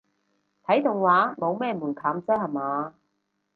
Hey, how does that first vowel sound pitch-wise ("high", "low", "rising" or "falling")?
rising